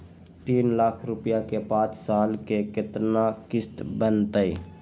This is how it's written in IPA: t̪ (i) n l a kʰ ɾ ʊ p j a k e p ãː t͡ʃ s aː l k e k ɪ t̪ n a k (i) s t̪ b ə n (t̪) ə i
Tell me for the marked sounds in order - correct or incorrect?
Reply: incorrect, incorrect, correct

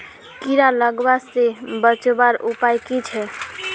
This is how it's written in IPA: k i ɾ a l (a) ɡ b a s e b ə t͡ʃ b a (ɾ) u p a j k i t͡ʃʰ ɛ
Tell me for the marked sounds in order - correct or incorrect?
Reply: incorrect, correct

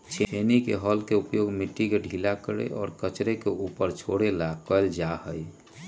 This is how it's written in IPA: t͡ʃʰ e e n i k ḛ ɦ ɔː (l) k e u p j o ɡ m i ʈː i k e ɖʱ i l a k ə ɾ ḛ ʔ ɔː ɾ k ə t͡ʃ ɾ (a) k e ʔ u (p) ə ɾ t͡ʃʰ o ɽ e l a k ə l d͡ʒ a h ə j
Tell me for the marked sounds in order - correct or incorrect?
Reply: correct, incorrect, correct

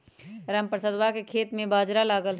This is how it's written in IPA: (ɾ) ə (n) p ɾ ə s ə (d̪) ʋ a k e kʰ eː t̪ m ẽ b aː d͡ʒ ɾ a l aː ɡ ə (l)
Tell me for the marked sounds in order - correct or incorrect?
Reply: correct, incorrect, correct, correct

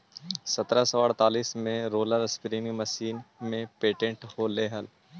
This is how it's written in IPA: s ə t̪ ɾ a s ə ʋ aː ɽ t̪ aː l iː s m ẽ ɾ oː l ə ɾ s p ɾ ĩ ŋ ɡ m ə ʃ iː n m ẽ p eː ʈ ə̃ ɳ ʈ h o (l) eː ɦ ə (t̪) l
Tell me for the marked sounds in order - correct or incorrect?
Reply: correct, incorrect

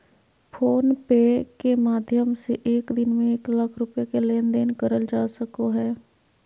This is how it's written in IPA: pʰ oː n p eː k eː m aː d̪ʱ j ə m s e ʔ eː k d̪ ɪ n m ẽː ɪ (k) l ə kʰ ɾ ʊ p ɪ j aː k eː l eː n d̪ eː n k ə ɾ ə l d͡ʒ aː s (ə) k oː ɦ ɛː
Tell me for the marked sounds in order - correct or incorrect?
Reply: correct, correct

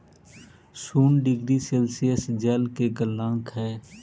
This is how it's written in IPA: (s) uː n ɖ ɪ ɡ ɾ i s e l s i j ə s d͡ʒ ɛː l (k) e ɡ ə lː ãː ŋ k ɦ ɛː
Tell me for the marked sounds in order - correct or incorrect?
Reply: correct, correct

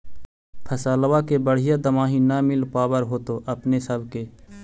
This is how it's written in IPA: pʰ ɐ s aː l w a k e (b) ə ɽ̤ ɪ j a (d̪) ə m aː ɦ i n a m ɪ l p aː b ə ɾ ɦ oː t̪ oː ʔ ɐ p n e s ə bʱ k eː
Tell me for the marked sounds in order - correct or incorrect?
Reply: correct, correct

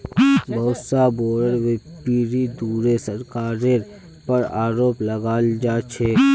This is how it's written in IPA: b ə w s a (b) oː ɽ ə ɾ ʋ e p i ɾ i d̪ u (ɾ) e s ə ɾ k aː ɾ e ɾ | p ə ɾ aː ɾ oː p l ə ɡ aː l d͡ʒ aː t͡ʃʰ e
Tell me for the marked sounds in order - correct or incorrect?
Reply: correct, correct

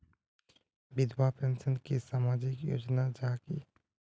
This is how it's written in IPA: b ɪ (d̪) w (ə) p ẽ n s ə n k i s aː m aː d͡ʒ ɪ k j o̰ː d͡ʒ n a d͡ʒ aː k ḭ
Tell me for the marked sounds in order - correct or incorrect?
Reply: correct, incorrect

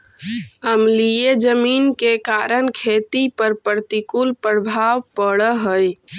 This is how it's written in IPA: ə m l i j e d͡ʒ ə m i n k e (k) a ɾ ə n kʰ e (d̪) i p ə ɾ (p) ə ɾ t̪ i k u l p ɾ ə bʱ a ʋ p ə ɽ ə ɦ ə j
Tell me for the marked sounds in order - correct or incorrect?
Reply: correct, incorrect, correct

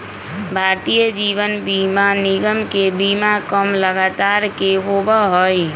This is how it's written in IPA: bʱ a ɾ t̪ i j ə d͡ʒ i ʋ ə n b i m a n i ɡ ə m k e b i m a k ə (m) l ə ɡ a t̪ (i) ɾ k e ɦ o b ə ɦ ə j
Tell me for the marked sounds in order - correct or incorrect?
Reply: correct, incorrect

